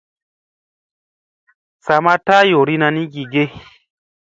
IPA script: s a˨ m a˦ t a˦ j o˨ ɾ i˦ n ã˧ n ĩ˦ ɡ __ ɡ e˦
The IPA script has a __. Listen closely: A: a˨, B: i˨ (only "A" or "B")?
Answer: B